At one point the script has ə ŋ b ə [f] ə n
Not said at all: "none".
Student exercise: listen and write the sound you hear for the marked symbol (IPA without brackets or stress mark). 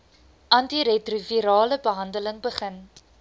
χ